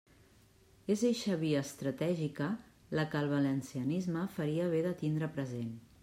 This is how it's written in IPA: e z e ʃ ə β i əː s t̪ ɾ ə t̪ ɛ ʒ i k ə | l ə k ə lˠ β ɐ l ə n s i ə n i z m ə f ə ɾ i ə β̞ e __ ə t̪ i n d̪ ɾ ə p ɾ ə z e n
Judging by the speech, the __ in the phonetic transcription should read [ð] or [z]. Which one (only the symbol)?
ð